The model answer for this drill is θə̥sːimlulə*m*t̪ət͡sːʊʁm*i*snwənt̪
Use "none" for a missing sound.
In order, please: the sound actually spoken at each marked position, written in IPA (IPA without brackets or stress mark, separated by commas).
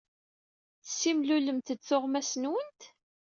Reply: m, æ